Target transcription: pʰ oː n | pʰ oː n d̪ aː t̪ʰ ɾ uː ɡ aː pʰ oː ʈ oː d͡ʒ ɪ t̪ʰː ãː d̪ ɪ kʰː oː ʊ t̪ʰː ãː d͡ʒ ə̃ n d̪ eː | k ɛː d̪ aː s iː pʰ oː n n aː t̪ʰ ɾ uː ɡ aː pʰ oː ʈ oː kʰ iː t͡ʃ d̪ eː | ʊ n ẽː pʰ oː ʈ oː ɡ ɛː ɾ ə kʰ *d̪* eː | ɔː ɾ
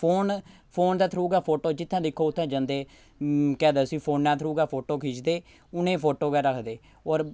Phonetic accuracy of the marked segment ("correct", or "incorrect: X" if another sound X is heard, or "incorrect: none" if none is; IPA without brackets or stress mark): correct